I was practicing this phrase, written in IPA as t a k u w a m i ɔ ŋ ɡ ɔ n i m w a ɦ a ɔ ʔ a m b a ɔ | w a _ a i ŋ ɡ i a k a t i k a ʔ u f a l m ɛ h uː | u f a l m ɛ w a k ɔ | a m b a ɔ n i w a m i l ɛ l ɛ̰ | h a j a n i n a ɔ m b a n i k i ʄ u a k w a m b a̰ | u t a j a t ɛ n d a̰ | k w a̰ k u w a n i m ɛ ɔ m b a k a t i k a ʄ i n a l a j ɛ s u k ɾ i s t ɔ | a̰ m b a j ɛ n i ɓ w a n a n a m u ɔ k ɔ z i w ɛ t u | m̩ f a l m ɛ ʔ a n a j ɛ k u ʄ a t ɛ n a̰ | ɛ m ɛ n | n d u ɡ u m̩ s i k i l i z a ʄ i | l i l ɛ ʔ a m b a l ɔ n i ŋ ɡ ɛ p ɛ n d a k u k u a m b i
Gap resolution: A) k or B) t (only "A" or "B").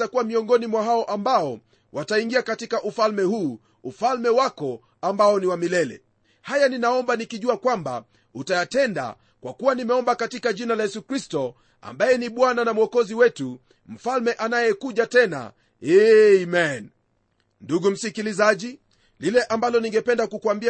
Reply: B